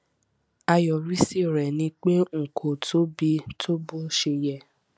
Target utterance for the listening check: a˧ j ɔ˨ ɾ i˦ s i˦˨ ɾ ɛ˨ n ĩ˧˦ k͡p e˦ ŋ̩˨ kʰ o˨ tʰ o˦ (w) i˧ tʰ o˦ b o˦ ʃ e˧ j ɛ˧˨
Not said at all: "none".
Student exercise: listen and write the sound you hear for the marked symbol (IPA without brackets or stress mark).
b